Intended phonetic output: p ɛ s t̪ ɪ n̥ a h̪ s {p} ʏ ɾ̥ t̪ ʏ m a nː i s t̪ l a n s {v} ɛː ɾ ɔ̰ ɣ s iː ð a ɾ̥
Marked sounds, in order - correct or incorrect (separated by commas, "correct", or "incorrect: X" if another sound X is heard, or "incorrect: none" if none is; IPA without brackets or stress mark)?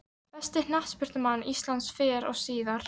correct, incorrect: f